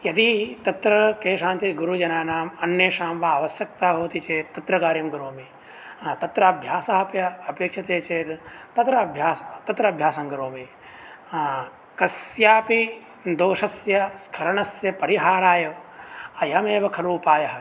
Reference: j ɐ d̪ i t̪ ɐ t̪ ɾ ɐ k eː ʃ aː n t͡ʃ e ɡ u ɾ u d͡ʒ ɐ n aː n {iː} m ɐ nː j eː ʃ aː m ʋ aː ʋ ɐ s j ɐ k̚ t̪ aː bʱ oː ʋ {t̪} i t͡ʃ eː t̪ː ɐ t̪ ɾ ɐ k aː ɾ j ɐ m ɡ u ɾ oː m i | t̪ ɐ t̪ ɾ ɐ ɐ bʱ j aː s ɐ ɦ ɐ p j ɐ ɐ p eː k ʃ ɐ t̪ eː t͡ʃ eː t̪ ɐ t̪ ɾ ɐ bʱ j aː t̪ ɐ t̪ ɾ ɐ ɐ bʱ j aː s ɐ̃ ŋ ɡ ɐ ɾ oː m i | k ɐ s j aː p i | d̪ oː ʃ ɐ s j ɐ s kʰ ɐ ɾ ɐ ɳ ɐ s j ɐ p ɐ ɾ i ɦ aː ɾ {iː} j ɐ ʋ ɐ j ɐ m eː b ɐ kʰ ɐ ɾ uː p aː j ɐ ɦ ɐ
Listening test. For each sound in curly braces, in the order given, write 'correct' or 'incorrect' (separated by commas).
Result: incorrect, correct, incorrect